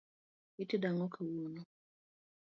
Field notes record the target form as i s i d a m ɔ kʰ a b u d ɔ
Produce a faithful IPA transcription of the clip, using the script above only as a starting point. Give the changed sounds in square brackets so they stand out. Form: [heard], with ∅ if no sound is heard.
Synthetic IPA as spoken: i [t] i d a [ŋ] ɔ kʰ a [w] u [n] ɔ